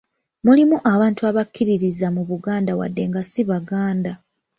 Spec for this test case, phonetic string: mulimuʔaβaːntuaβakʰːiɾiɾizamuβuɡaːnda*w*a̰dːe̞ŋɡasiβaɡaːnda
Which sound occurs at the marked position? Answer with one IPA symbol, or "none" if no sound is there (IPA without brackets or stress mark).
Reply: w